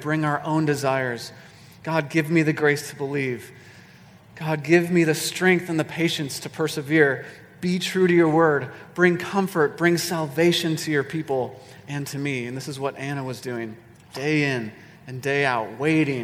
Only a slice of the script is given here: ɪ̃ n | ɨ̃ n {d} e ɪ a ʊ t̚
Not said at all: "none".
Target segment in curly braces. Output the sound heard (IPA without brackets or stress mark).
d